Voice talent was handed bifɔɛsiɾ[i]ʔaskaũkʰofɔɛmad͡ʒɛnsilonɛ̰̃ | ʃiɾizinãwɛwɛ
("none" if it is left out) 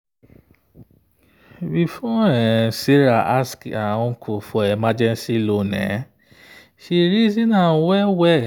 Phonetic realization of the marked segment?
a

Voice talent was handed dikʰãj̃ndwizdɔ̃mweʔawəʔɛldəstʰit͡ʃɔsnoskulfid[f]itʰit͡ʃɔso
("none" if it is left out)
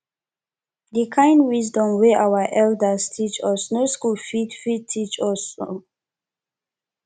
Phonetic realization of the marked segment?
f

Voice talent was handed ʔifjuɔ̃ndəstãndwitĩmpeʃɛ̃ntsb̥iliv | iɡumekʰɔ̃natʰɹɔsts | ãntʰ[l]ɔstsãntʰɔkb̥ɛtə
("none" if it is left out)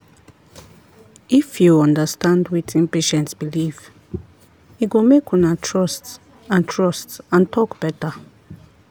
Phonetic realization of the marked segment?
ɹ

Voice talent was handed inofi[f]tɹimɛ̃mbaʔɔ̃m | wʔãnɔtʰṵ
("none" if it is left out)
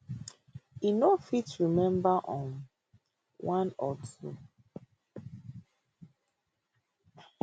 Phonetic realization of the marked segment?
none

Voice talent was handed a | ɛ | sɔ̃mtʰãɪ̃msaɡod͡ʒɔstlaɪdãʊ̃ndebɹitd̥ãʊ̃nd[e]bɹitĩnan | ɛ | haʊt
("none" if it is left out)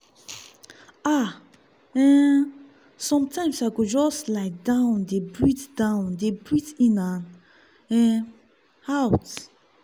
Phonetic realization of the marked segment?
e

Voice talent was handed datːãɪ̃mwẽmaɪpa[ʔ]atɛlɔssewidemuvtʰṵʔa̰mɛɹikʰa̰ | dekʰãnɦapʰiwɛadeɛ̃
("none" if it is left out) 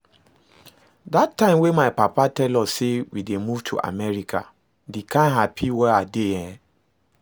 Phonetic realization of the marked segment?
p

